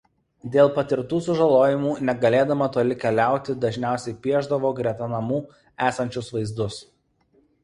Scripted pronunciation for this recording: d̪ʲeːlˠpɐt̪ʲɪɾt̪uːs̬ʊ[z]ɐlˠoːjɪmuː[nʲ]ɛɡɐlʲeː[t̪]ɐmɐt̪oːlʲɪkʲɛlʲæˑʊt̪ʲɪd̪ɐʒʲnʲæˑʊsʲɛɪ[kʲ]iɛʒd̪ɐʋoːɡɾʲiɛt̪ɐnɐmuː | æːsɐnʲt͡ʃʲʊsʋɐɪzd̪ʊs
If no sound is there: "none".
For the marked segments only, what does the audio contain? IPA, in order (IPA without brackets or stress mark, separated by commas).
ʒ, nʲ, d̪, pʲ